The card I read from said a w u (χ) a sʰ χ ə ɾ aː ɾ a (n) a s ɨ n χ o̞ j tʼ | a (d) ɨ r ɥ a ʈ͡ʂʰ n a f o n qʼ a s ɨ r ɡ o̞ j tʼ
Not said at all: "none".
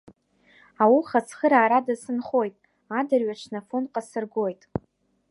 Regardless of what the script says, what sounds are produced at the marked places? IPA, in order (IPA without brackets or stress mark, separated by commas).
χ, d, d